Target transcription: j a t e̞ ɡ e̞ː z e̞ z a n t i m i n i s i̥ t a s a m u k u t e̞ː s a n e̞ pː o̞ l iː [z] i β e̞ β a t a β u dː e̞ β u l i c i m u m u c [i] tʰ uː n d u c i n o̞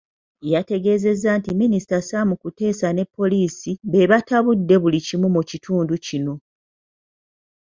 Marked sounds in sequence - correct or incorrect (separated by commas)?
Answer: incorrect, correct